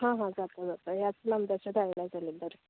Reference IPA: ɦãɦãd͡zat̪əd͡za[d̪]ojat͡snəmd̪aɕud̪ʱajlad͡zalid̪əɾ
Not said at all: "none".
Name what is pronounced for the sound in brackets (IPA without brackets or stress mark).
t̪